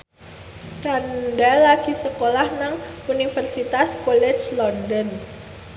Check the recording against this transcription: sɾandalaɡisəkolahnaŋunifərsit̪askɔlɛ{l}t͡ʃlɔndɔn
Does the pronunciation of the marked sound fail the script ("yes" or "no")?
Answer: yes